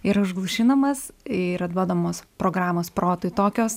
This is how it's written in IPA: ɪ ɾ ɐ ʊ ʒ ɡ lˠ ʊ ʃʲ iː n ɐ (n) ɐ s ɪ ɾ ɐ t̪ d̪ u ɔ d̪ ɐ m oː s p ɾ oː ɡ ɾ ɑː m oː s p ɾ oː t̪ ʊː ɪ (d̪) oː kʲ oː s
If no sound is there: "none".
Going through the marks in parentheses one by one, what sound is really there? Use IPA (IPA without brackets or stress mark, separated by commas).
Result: m, t̪